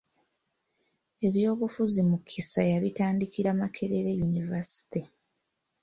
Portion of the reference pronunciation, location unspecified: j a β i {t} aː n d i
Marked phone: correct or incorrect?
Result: correct